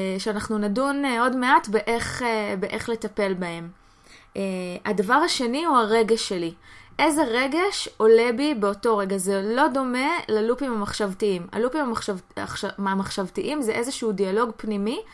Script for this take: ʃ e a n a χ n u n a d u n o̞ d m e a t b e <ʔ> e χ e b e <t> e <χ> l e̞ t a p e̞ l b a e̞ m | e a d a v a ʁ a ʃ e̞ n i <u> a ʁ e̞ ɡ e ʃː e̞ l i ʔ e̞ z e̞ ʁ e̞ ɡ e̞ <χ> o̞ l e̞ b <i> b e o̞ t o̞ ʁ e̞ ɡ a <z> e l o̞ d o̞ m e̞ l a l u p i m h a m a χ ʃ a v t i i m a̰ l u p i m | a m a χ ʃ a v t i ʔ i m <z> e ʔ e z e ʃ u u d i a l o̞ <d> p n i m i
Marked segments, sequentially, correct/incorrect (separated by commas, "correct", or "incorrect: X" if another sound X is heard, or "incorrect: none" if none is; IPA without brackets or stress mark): correct, incorrect: ʔ, correct, correct, incorrect: ʃ, correct, correct, correct, incorrect: ɡ